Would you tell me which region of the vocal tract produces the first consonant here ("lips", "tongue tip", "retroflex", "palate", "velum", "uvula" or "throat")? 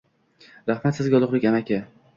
tongue tip